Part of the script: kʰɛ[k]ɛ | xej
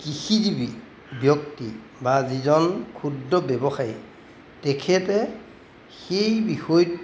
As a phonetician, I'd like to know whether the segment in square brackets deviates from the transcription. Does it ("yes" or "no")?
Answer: yes